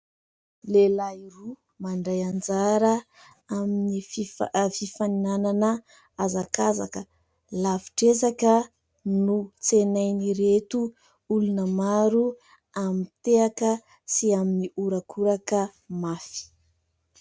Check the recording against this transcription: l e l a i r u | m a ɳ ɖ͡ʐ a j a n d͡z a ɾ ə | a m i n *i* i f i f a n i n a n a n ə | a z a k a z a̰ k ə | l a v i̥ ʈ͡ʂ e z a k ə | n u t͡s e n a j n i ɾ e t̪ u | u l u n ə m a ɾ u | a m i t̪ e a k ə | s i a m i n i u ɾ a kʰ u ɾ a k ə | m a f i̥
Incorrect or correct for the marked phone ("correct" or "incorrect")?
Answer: correct